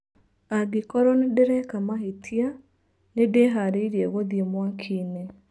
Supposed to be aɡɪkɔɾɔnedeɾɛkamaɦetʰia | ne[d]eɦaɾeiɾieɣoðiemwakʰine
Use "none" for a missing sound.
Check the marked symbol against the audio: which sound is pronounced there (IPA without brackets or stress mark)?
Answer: d